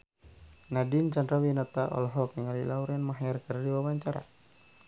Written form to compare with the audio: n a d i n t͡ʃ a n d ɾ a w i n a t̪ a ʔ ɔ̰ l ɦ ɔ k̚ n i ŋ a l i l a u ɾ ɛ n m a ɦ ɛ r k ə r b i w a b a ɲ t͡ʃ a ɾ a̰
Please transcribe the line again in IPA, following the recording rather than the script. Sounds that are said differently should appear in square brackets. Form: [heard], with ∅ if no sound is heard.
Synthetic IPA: n a d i n t͡ʃ a n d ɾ a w i n a t̪ a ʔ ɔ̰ l ɦ ɔ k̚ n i ŋ a l i l a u ɾ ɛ n m a ɦ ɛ r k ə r [d] i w a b a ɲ t͡ʃ a ɾ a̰